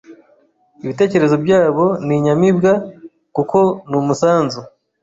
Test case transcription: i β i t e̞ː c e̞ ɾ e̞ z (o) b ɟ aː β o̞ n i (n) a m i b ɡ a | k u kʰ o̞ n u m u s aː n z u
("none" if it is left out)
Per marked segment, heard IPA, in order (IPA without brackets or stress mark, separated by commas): o, ɲ